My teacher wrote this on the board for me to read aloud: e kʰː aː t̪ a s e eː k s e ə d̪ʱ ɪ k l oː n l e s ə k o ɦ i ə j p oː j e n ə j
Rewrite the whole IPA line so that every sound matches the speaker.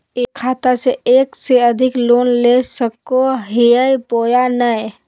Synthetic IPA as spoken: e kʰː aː t̪ a s e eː k s e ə d̪ʱ ɪ k l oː n l e s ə k o ɦ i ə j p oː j a n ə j